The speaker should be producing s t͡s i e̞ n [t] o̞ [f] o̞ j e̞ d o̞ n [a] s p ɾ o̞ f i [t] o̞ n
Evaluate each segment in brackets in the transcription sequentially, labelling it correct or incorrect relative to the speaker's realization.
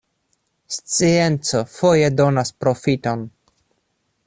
incorrect: t͡s, correct, correct, correct

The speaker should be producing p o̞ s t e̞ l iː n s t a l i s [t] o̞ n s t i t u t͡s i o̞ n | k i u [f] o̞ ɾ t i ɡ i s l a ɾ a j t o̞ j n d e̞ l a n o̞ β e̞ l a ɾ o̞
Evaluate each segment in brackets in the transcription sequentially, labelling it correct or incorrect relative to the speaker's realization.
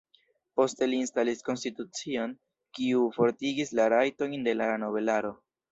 incorrect: k, correct

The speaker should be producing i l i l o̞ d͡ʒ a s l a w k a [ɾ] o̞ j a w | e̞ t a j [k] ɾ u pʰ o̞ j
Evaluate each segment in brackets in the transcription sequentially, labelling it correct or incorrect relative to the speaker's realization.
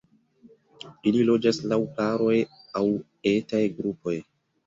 correct, incorrect: ɡ

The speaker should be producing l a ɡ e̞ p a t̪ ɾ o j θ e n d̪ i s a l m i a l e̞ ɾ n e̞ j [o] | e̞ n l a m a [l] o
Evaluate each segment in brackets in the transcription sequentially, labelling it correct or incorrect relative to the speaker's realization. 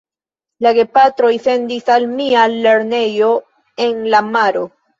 correct, incorrect: ɾ

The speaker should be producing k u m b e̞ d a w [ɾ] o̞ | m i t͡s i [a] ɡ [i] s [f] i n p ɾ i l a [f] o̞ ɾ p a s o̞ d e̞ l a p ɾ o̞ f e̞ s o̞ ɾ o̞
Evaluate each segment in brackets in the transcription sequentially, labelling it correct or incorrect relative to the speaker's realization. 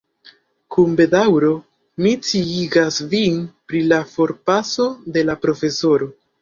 correct, incorrect: i, incorrect: a, incorrect: v, correct

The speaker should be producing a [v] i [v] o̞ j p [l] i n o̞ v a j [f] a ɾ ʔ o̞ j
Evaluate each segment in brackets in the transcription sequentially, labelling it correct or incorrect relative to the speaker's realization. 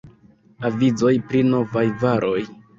correct, incorrect: z, incorrect: ɾ, incorrect: v

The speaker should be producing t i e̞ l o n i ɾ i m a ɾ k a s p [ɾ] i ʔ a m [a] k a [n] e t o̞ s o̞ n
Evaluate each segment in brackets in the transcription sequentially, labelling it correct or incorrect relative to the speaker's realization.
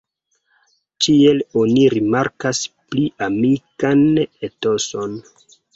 incorrect: l, incorrect: i, correct

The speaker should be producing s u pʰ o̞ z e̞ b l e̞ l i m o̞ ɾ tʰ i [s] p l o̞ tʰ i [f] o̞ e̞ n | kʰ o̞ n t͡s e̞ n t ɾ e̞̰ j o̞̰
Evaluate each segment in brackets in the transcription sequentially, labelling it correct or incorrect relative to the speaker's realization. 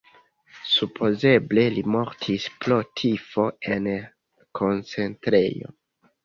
correct, correct

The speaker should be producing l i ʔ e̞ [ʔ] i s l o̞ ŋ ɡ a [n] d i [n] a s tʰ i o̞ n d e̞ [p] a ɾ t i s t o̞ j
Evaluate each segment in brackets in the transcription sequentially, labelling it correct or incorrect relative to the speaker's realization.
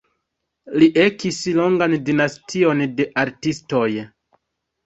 incorrect: k, correct, correct, incorrect: ʔ

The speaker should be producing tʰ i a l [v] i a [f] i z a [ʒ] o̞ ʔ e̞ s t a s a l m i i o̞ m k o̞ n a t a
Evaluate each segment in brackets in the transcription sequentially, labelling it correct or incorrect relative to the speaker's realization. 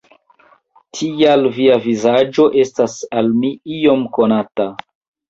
correct, incorrect: v, incorrect: d͡ʒ

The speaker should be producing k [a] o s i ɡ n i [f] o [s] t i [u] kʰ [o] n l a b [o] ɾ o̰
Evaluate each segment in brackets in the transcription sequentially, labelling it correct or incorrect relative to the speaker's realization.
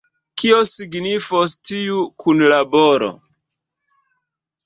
incorrect: i, correct, correct, correct, incorrect: u, correct

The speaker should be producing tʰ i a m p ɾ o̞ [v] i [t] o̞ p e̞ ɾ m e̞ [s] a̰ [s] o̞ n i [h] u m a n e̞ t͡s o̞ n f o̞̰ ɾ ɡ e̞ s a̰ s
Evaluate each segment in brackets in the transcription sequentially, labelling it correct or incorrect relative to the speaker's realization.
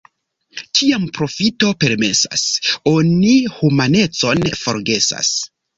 incorrect: f, correct, correct, correct, correct

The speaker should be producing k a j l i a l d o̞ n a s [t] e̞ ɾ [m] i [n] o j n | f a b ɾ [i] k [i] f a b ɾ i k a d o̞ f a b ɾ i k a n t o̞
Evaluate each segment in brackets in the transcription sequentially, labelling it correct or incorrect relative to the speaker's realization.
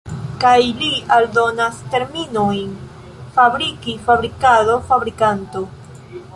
correct, correct, correct, correct, correct

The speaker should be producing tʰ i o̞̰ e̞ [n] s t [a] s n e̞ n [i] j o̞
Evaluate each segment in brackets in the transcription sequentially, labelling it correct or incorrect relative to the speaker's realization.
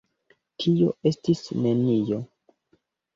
incorrect: none, incorrect: i, correct

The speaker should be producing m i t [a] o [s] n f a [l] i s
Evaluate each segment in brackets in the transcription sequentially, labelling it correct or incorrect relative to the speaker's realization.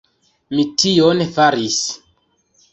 incorrect: i, incorrect: none, incorrect: ɾ

